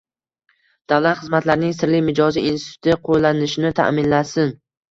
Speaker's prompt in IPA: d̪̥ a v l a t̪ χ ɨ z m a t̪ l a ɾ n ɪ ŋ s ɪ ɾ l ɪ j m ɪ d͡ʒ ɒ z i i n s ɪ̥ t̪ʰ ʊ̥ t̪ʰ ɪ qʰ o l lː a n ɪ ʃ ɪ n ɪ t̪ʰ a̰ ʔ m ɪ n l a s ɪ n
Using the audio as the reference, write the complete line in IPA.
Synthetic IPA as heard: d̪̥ a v l a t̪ χ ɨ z m a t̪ l a ɾ n ɪ ŋ s ɪ ɾ l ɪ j m ɪ d͡ʒ ɒ z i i n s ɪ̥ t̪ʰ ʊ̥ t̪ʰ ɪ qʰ o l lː a n ɪ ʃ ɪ n ɪ t̪ʰ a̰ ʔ m ɪ n l a s ɪ n

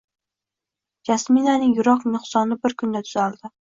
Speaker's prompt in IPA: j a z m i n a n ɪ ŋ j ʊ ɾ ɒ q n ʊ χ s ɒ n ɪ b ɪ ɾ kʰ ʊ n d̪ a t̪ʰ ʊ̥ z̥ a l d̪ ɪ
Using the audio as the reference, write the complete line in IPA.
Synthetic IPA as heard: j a s m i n a n ɪ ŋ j ʊ ɾ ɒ q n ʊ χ s ɒ n ɪ b ɪ ɾ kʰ ʊ n d̪ a t̪ʰ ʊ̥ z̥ a l d̪ ɪ

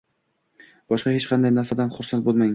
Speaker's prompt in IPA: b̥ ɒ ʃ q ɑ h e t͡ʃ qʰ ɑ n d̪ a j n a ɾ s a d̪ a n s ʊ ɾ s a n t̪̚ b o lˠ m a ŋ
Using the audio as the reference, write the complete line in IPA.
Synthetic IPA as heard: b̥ ɒ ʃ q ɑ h e t͡ʃ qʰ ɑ n d̪ a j n a ɾ s a d̪ a n χ ʊ ɾ s a n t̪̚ b o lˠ m a ŋ

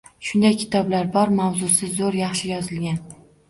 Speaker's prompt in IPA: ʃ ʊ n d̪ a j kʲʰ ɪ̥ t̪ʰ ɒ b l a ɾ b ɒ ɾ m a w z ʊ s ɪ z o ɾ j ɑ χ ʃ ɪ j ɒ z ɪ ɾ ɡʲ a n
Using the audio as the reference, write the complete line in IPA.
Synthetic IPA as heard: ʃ ʊ n d̪ a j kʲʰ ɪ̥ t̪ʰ ɒ b l a ɾ b ɒ ɾ m a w z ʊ s ɪ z o ɾ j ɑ χ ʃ ɪ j ɒ z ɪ l ɡʲ a n

